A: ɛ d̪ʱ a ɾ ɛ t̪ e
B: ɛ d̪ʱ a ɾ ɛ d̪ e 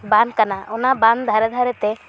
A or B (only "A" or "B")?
A